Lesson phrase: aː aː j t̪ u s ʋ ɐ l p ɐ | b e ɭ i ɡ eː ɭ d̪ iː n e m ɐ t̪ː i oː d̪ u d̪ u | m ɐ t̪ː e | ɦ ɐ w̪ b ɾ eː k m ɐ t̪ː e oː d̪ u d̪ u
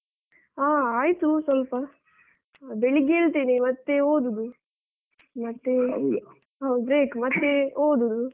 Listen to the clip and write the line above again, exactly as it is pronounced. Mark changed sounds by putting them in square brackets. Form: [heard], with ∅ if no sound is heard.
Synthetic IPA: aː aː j t̪ u s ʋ ɐ l p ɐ | b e ɭ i ɡ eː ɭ [t̪] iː n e m ɐ t̪ː [e] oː d̪ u d̪ u | m ɐ t̪ː e | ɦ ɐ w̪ b ɾ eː k m ɐ t̪ː e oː d̪ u d̪ u